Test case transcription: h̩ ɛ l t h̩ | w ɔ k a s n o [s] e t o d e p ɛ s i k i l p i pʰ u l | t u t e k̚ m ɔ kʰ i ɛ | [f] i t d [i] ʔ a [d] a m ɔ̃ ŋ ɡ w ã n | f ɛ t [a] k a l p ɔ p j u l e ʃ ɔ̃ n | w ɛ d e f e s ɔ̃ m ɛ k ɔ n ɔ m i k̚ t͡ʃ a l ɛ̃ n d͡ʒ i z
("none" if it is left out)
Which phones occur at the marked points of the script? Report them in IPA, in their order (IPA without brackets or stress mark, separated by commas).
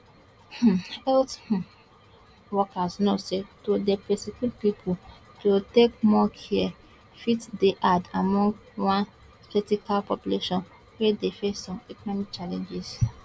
s, f, e, d, i